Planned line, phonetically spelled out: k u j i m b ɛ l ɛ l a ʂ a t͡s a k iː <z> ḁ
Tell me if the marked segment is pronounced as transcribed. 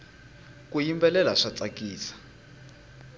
no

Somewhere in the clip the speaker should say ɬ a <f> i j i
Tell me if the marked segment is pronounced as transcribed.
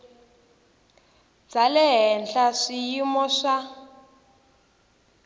no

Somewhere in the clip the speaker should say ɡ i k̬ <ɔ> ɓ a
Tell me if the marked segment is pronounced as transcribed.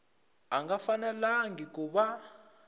no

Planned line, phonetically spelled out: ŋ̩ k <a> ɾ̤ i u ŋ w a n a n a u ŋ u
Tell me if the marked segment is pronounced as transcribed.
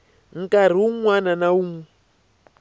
yes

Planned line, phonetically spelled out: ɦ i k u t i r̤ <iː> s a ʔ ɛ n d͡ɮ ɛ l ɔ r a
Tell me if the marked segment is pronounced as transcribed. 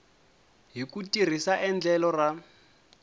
no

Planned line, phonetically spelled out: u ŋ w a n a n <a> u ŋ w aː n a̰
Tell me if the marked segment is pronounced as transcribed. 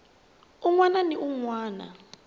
no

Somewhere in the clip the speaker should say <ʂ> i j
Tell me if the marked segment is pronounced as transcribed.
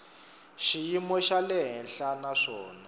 no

